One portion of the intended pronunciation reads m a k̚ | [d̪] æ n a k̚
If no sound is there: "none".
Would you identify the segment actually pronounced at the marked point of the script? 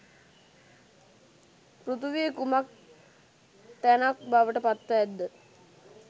t̪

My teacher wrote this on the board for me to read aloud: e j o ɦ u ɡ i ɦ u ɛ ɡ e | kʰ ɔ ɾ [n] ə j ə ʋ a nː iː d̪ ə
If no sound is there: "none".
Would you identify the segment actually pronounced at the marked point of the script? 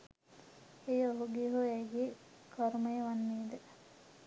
m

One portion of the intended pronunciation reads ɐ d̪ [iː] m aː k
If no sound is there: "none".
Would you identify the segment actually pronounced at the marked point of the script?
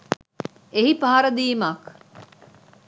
iː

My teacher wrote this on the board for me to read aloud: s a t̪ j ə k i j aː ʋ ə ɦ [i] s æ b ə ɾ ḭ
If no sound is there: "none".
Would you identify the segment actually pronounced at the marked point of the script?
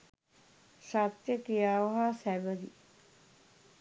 a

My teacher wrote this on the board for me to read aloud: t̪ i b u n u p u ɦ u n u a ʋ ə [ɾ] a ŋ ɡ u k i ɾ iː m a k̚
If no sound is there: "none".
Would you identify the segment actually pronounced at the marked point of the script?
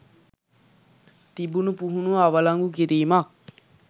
l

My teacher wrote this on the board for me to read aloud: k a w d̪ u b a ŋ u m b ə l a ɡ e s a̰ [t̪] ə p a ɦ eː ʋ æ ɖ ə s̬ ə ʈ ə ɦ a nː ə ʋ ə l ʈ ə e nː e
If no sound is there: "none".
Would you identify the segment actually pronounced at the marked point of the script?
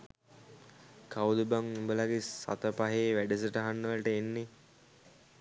t̪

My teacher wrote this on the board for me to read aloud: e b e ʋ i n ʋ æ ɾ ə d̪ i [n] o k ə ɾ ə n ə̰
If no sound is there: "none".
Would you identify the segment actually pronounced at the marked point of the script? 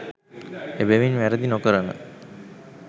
n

